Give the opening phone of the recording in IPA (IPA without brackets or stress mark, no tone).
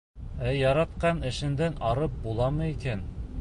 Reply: æ